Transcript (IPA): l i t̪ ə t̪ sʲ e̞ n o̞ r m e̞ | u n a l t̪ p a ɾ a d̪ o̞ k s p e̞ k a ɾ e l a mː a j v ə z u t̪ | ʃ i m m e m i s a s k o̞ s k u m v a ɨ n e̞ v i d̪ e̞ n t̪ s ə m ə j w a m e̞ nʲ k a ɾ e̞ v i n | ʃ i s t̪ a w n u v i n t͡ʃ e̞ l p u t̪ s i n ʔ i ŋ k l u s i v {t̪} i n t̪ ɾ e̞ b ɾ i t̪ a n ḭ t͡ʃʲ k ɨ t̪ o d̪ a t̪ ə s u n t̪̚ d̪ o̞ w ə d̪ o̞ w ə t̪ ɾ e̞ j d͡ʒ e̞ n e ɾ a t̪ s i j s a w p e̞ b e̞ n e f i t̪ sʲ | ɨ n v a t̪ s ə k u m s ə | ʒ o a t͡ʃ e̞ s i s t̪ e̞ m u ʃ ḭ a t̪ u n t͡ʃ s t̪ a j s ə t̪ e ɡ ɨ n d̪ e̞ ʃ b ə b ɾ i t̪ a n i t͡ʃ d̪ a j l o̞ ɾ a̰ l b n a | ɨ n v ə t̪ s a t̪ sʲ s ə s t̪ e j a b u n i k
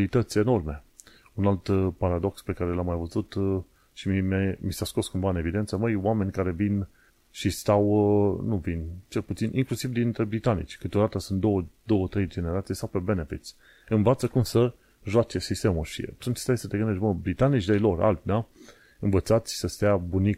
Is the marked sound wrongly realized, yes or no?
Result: yes